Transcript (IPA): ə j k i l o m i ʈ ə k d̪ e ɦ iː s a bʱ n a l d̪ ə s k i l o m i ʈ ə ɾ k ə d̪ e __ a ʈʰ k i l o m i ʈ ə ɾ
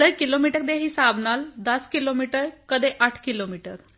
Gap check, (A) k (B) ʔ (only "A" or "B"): B